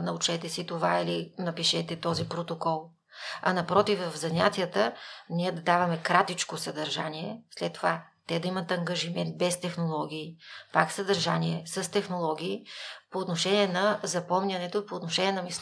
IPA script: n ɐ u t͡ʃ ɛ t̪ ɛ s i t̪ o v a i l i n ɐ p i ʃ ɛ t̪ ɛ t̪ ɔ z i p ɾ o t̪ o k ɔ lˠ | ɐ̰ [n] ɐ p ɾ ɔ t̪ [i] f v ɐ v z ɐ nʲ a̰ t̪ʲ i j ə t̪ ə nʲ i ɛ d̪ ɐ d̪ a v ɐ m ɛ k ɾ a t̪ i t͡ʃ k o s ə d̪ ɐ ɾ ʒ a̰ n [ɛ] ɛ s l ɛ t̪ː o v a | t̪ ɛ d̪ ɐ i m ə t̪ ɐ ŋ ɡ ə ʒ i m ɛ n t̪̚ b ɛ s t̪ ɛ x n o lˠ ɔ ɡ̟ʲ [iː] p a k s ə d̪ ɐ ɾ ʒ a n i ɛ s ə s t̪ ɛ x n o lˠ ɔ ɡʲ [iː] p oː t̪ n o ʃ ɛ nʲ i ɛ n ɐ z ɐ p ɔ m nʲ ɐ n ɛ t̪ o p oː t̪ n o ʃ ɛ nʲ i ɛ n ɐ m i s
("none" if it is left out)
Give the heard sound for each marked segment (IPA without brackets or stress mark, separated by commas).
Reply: n, i, i, iː, iː